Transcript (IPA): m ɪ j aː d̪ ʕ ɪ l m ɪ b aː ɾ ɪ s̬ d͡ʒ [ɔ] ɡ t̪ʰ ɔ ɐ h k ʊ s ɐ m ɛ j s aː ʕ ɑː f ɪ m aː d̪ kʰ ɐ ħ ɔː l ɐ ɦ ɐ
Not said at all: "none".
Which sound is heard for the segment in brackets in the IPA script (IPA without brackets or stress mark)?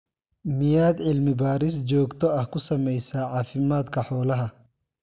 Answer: ɔː